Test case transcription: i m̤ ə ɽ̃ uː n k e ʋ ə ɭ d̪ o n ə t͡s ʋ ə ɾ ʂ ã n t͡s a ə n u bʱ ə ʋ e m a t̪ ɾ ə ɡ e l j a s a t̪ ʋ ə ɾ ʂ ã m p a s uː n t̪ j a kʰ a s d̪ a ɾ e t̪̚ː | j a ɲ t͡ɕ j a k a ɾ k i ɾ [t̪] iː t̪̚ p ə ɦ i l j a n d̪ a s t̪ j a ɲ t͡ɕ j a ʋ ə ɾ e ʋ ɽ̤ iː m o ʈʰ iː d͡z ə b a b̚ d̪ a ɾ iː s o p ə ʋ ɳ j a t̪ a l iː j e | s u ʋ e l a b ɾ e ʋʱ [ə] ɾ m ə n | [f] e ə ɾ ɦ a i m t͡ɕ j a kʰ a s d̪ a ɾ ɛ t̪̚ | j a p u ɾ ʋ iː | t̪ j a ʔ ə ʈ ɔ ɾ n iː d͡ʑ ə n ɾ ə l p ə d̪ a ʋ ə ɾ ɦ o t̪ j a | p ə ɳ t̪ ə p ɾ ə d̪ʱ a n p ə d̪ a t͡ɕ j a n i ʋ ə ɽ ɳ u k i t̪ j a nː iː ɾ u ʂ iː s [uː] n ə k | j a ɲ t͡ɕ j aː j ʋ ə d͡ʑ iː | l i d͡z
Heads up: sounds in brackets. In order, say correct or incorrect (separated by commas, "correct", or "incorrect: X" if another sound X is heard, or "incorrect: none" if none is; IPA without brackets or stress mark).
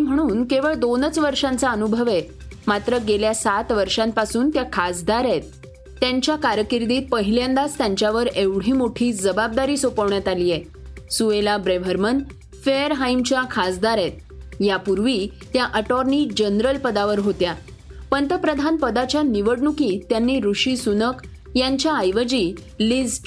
incorrect: d̪, correct, correct, incorrect: u